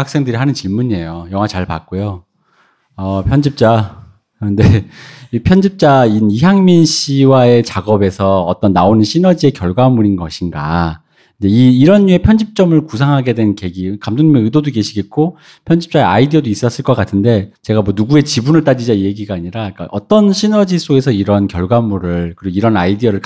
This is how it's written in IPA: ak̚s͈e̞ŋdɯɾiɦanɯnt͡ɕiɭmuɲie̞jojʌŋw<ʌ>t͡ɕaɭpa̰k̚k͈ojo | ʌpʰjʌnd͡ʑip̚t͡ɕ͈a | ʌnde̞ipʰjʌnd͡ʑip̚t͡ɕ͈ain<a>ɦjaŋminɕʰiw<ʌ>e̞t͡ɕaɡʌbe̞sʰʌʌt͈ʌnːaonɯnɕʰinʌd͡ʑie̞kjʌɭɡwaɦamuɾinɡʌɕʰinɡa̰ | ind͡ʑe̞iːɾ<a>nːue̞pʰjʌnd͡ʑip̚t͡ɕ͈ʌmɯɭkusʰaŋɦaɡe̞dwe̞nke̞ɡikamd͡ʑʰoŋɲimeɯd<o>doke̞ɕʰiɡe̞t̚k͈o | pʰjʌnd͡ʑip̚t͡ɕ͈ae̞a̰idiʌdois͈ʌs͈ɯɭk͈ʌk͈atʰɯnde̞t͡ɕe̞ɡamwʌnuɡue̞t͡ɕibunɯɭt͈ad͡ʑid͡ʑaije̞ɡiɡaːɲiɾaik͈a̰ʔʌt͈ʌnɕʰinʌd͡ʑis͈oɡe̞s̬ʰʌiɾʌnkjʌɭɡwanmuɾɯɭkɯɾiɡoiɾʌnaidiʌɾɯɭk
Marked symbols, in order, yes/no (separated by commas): no, no, no, no, yes